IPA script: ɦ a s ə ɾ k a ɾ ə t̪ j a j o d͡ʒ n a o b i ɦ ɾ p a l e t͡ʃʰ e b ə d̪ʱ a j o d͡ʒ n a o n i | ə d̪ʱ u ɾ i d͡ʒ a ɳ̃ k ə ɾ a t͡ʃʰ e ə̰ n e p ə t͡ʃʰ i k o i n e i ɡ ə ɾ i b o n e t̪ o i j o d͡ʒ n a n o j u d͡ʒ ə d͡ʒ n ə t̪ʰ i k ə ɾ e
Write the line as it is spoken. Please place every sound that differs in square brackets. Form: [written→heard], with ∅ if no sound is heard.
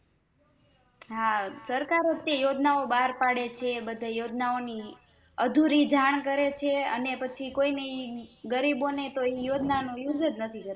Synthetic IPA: ɦ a s ə ɾ k a ɾ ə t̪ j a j o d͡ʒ n a o b [i→a] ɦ ɾ p a [l→ɽ] e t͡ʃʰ e b ə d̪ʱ a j o d͡ʒ n a o n i | ə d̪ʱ u ɾ i d͡ʒ a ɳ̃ k ə ɾ [a→e] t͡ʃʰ e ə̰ n e p ə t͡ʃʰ i k o i n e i ɡ ə ɾ i b o n e t̪ o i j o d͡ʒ n a n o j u d͡ʒ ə d͡ʒ n ə t̪ʰ i k ə ɾ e